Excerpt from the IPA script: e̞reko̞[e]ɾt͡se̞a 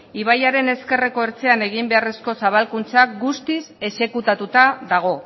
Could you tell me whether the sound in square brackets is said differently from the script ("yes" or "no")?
no